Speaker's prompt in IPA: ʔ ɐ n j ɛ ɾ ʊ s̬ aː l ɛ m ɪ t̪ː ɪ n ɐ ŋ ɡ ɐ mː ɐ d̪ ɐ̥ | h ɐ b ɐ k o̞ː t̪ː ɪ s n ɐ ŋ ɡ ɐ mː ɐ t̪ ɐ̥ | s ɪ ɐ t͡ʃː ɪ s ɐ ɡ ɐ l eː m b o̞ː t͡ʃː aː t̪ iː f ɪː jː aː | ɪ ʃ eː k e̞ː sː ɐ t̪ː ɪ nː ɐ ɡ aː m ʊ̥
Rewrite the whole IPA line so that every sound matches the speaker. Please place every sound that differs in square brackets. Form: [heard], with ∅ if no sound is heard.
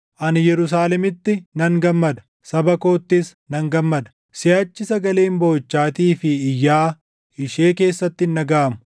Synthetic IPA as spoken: ʔ ɐ n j ɛ ɾ ʊ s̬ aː l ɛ m ɪ t̪ː ɪ n ɐ ŋ ɡ ɐ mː ɐ d̪ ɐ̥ | [s] ɐ b ɐ k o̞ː t̪ː ɪ s n ɐ ŋ ɡ ɐ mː ɐ [d̪] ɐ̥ | s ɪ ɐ t͡ʃː ɪ s ɐ ɡ ɐ l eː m b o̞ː t͡ʃː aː t̪ iː f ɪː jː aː | ɪ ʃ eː k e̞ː sː ɐ t̪ː ɪ nː ɐ ɡ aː m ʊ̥